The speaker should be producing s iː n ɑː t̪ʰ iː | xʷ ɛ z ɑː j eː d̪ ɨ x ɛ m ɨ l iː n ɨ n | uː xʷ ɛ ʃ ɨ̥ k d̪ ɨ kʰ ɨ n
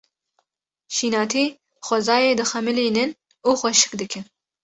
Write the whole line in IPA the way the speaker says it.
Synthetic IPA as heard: ʃ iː n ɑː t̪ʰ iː | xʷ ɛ z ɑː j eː d̪ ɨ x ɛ m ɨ l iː n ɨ n | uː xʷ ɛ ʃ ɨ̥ k d̪ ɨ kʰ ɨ n